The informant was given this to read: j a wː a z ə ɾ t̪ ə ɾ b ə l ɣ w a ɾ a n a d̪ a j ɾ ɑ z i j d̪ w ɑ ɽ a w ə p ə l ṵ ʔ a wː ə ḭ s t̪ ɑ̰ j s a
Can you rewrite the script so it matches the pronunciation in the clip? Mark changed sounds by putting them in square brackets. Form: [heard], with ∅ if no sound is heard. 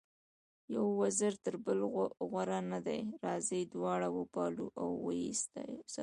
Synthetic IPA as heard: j a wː a z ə ɾ t̪ ə ɾ b ə l ɣ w a ɾ a n a d̪ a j ɾ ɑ z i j d̪ w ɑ ɽ a w ə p [ɑ] l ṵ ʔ a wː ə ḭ s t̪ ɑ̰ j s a